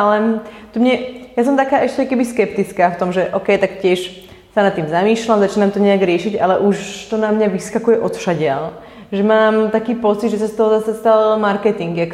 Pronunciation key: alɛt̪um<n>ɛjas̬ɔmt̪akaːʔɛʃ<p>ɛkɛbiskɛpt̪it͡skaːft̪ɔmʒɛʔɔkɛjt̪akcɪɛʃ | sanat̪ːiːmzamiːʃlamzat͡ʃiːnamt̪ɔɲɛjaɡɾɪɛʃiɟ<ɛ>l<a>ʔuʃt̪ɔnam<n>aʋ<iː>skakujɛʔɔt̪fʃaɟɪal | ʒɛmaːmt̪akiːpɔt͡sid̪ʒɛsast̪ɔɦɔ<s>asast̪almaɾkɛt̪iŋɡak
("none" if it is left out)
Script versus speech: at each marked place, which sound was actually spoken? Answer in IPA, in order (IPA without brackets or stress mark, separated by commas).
ɲ, c, a, ɛ, ɲ, i, z